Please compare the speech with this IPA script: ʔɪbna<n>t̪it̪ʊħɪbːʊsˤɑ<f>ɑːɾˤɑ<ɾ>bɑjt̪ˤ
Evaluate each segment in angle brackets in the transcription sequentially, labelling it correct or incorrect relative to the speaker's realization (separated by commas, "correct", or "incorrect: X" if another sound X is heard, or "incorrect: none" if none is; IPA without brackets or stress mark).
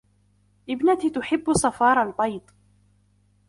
incorrect: none, correct, incorrect: l